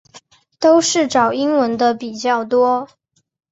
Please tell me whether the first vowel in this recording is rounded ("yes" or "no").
yes